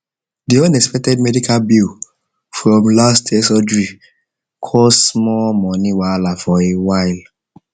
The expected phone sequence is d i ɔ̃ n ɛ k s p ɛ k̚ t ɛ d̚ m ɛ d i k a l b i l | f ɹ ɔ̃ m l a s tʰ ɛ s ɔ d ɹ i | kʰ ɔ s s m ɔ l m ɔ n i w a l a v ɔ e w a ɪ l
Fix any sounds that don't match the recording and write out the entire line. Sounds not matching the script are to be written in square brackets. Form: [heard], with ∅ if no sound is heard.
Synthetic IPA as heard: d i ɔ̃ n ɛ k s p ɛ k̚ t ɛ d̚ m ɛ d i k a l b i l | f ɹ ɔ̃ m l a s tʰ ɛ s ɔ d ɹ i | kʰ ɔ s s m ɔ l m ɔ n i w a l a [f] ɔ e w a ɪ l